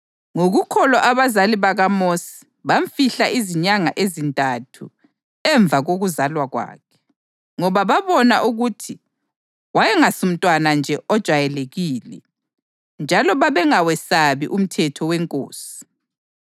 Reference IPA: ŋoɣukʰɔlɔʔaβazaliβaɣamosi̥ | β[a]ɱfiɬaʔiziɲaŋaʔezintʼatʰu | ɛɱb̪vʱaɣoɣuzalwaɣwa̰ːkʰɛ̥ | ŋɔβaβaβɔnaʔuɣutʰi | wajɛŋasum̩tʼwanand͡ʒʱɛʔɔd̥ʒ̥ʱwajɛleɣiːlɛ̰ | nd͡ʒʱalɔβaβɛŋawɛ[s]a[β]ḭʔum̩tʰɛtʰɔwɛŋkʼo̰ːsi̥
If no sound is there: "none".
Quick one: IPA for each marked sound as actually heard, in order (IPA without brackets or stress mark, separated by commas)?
a, s, β